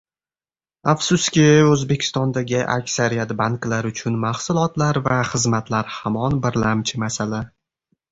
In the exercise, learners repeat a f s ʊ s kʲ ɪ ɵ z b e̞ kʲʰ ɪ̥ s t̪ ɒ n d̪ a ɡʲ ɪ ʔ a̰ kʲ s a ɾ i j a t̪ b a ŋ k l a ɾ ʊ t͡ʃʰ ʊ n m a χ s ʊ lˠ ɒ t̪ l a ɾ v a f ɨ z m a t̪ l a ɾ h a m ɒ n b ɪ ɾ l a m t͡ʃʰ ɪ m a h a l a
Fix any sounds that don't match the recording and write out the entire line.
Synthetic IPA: a f s ʊ s kʲ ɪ ɵ z b e̞ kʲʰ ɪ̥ s t̪ ɒ n d̪ a ɡʲ ɪ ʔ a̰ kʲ s a ɾ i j a t̪ b a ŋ k l a ɾ ʊ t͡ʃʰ ʊ n m a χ s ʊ lˠ ɒ t̪ l a ɾ v a χ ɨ z m a t̪ l a ɾ h a m ɒ n b ɪ ɾ l a m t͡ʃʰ ɪ m a s a l a